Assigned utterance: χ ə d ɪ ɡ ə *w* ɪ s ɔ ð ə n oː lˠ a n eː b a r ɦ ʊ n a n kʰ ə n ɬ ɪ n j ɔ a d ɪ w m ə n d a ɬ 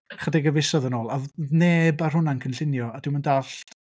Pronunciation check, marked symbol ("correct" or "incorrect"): incorrect